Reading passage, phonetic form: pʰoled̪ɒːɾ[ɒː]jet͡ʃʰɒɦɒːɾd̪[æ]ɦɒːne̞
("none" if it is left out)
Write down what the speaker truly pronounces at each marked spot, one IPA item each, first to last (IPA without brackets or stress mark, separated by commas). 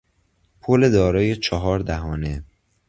ɒː, æ